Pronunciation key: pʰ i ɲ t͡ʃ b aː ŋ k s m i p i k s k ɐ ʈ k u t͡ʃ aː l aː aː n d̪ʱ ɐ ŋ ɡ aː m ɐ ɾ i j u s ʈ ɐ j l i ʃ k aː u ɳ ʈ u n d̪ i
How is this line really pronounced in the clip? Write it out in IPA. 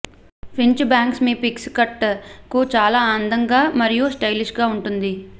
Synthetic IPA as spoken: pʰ i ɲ t͡ʃ b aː ŋ k s m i p i k s k ɐ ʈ k u t͡ʃ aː l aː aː n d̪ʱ ɐ ŋ ɡ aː m ɐ ɾ i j u s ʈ ɐ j l i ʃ ɡ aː u ɳ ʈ u n d̪ i

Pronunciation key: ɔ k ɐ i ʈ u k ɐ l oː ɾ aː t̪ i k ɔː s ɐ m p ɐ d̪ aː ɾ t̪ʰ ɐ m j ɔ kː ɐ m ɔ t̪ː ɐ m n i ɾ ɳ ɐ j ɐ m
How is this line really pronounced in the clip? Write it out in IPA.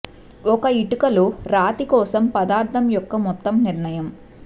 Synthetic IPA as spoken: ɔ k ɐ i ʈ u k ɐ l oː ɾ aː t̪ i k ɔː s ɐ m p ɐ d̪ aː ɾ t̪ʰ ɐ m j ɔ kː ɐ m ɔ t̪ː ɐ m n i ɾ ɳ ɐ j ɐ m

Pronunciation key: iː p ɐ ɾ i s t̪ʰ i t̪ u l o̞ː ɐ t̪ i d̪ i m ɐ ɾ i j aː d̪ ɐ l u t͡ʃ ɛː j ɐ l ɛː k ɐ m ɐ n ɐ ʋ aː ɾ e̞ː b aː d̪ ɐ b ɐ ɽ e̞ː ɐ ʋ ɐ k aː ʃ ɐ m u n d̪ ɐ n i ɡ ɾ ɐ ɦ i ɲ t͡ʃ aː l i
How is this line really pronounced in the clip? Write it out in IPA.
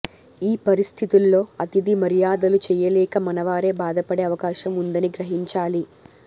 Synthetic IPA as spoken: iː p ɐ ɾ i s t̪ʰ i t̪ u lː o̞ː ɐ t̪ i d̪ i m ɐ ɾ i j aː d̪ ɐ l u t͡ʃ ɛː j ɐ l ɛː k ɐ m ɐ n ɐ ʋ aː ɾ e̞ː b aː d̪ ɐ p ɐ ɽ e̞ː ɐ ʋ ɐ k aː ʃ ɐ m u n d̪ ɐ n i ɡ ɾ ɐ ɦ i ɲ t͡ʃ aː l i

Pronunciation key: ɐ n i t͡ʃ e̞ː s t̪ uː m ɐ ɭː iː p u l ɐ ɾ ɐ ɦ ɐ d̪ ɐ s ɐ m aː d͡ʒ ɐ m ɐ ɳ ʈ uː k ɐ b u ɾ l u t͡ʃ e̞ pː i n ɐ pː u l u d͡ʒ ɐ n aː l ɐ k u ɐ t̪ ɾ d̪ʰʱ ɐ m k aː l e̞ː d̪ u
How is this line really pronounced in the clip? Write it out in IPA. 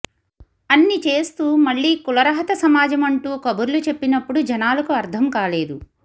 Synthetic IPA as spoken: ɐ nː i t͡ʃ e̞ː s t̪ uː m ɐ ɭː iː k u l ɐ ɾ ɐ ɦ ɐ t̪ ɐ s ɐ m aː d͡ʒ ɐ m ɐ ɳ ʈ uː k ɐ b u ɾ l u t͡ʃ e̞ pː i n ɐ pː u ɽ u d͡ʒ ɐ n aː l ɐ k u ɐ ɾ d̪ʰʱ ɐ m k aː l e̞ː d̪ u

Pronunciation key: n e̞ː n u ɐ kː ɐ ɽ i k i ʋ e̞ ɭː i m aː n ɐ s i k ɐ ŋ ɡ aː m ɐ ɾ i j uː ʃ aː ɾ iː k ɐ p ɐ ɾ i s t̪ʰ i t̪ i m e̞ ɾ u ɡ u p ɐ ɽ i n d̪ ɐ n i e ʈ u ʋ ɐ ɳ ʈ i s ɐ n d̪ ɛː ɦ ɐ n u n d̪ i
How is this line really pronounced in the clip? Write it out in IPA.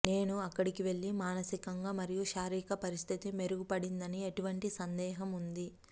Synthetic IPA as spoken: n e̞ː n u ɐ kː ɐ ɽ i k i ʋ e̞ ɭː i m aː n ɐ s i k ɐ ŋ ɡ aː m ɐ ɾ i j u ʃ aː ɾ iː k ɐ p ɐ ɾ i s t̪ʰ i t̪ i m e̞ ɾ u ɡ u p ɐ ɽ i n d̪ ɐ n i e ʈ u ʋ ɐ ɳ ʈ i s ɐ n d̪ ɛː ɦ ɐ m u n d̪ i

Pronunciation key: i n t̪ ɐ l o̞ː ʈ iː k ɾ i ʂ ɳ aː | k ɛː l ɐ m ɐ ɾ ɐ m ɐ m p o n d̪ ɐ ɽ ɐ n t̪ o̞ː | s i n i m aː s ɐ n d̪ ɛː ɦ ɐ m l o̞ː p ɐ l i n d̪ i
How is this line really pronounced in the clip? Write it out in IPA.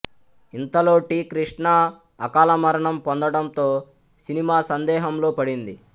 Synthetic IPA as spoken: i n t̪ ɐ l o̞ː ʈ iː k ɾ i ʂ ɳ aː | k aː l ɐ m ɐ ɾ ɐ ɳ ɐ m p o n d̪ ɐ ɽ ɐ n t̪ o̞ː | s i n i m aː s ɐ n d̪ ɛː ɦ ɐ m l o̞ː p ɐ ɽ i n d̪ i

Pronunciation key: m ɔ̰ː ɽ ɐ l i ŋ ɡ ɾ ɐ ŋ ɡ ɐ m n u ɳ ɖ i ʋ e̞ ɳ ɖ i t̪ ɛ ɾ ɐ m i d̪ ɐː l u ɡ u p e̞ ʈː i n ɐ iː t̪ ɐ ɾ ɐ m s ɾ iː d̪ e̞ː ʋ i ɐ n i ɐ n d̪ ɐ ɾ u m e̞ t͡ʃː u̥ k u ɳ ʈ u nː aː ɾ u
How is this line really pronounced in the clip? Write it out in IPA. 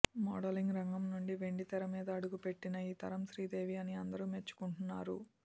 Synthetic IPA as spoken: m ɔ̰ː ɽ ɐ l i ŋ ɡ ɾ ɐ ŋ ɡ ɐ m n u ɳ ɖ i ʋ e̞ ɳ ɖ i t̪ ɛ ɾ ɐ m iː d̪ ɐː ɽ u ɡ u p e̞ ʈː i n ɐ iː t̪ ɐ ɾ ɐ m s ɾ iː d̪ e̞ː ʋ i ɐ n i ɐ n d̪ ɐ ɾ u m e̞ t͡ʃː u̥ k u ɳ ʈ u nː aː ɾ u

